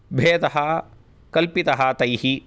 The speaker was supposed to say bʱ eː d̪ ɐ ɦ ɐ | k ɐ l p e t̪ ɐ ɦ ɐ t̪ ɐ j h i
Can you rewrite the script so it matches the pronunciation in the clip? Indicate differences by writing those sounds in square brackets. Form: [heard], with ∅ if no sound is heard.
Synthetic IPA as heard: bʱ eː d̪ ɐ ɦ ɐ | k ɐ l p [i] t̪ ɐ ɦ ɐ t̪ ɐ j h i